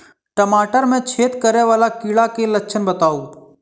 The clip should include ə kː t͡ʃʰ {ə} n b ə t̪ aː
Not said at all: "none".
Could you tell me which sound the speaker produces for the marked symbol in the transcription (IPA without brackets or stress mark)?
ə